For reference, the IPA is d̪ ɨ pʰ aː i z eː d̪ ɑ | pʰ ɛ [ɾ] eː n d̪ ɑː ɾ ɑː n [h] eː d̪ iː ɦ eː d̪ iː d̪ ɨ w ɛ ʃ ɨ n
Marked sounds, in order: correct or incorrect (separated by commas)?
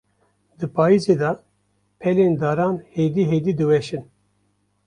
incorrect, correct